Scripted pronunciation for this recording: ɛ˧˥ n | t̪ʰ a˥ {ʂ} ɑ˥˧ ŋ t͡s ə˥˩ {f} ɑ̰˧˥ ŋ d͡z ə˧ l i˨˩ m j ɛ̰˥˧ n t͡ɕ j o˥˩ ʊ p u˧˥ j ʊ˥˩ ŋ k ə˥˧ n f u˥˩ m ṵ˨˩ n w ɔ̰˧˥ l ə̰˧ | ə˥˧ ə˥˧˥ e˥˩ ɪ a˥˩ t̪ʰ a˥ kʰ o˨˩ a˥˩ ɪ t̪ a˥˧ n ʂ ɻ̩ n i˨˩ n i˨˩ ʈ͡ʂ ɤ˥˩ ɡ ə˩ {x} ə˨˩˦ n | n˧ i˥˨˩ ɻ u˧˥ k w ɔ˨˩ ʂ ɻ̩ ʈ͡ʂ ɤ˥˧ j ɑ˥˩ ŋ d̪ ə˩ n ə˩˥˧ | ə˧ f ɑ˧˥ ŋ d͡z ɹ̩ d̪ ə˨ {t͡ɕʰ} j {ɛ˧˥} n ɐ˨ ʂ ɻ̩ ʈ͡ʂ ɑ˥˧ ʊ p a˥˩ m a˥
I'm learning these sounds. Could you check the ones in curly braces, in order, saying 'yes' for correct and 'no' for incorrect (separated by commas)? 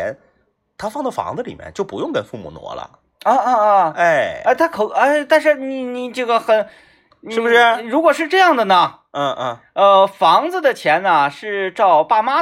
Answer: no, yes, yes, yes, yes